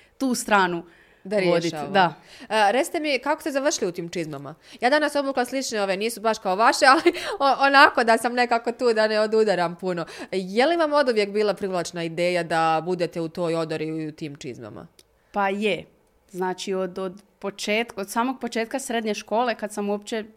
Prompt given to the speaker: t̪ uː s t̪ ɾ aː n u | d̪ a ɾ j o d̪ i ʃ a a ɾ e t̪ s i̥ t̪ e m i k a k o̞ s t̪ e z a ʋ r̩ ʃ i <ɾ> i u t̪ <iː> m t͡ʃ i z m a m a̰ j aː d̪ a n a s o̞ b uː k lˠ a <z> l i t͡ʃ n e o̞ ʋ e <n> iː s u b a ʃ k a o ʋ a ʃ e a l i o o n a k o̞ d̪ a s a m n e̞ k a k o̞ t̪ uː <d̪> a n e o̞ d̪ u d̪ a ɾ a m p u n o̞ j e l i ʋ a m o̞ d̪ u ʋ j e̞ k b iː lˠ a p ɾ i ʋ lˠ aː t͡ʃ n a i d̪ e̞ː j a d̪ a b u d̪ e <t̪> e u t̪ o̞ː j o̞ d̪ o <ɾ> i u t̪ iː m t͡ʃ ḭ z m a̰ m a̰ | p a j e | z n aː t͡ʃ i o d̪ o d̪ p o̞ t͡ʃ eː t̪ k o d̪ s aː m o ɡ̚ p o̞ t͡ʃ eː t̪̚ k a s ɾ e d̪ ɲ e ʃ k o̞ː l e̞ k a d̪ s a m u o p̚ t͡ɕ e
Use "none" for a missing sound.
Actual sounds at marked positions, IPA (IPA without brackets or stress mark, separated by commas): l, iː, s, n, d̪, t̪, ɾ